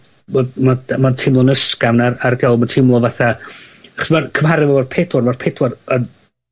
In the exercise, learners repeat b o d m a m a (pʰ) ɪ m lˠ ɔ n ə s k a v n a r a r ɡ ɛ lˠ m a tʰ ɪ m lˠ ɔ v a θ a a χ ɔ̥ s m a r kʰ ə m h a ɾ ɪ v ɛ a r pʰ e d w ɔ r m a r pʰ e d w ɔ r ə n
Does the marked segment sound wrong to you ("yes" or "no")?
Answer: yes